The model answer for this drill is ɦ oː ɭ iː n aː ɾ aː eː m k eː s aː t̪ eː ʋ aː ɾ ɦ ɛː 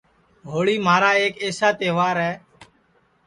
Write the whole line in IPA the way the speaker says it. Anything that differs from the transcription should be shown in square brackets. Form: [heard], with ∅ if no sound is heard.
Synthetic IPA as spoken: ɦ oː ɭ iː [m] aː ɾ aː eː [∅] k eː s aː t̪ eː ʋ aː ɾ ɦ ɛː